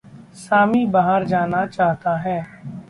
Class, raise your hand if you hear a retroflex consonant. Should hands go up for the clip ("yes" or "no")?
no